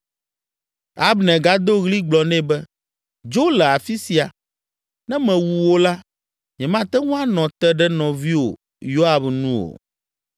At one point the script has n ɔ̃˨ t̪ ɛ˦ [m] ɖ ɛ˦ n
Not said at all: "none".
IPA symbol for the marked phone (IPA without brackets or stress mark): none